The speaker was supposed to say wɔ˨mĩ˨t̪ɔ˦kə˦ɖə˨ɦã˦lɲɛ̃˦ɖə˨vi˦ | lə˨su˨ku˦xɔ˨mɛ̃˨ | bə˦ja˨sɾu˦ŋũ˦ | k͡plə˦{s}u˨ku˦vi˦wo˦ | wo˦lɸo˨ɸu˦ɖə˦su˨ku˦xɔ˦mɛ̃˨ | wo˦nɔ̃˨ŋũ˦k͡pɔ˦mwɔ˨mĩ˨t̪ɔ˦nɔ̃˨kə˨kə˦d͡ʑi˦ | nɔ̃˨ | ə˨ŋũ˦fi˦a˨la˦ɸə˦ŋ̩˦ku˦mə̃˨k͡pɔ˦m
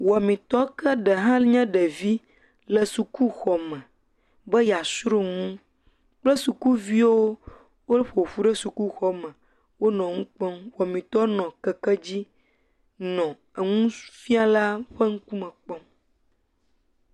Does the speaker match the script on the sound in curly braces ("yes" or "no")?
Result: yes